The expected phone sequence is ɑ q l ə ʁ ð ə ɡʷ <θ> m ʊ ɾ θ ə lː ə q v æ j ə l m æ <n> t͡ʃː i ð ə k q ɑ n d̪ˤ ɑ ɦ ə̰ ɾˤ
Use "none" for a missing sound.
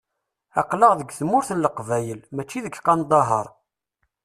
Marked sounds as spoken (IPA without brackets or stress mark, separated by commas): θ, none